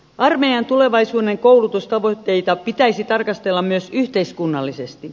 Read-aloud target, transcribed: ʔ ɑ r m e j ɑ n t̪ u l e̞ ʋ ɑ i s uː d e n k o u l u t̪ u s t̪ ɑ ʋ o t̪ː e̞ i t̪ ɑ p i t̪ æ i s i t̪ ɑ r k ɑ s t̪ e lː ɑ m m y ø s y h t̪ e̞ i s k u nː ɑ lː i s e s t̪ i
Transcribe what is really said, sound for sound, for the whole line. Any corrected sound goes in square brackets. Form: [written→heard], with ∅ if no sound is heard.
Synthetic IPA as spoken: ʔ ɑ r m e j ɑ n t̪ u l e̞ ʋ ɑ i s uː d e [n→ŋ] k o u l u t̪ u s t̪ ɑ ʋ o t̪ː e̞ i t̪ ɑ p i t̪ æ i s i t̪ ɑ r k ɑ s t̪ e lː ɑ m m y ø s y h t̪ e̞ i s k u nː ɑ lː i s e s t̪ i